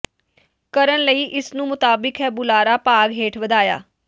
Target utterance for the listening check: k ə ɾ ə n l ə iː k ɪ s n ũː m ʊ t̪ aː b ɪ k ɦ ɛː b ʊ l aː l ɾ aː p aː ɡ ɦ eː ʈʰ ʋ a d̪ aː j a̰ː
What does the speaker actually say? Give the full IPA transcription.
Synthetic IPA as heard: k ə ɾ ə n l ə iː ʔ ɪ s n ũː m ʊ t̪ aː b ɪ k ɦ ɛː b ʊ l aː ɾ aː p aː ɡ ɦ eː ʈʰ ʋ ə d̪ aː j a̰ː